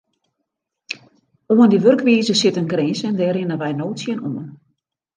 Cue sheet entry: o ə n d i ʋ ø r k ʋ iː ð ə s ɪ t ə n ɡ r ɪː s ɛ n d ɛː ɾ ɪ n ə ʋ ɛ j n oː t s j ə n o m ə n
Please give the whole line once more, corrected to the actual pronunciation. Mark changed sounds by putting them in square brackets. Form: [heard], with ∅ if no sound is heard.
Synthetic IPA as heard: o ə n d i ʋ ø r k ʋ iː [z] ə s ɪ t ə n ɡ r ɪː s ɛ n d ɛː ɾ ɪ n ə ʋ ɛ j n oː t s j ə n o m ə n